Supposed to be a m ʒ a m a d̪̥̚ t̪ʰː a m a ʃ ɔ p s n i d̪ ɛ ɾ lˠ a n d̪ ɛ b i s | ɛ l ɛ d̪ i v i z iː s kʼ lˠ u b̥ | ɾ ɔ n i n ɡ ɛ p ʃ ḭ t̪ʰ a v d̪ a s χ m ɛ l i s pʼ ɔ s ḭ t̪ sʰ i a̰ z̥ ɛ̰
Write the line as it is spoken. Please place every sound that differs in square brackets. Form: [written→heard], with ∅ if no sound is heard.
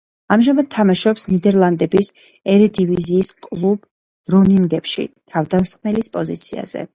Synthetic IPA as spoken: a m ʒ a m a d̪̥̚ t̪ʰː a m a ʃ ɔ p s n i d̪ ɛ ɾ lˠ a n d̪ ɛ b i s | ɛ [l→ɾ] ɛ d̪ i v i z iː s kʼ lˠ u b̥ | ɾ ɔ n i [n→ŋ] ɡ ɛ p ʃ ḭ t̪ʰ a v d̪ a s χ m ɛ l i s pʼ ɔ [s→z] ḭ t̪ sʰ i a̰ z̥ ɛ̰